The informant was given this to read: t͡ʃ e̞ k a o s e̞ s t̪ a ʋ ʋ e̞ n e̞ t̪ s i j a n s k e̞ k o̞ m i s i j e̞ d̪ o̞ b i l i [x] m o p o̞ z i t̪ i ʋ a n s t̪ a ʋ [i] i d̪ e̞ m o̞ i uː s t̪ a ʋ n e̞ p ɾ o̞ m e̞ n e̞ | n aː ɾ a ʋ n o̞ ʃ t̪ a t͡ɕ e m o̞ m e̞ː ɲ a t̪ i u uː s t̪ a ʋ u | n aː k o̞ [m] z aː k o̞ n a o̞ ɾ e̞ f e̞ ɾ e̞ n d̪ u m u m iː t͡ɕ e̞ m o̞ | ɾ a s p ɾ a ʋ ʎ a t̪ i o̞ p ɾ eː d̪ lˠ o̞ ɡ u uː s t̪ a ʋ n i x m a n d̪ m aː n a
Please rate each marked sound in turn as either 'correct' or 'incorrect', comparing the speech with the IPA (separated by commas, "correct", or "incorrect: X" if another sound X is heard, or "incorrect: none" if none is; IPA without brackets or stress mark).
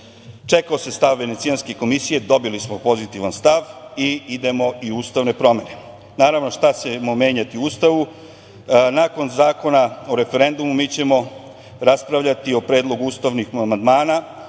incorrect: s, correct, incorrect: n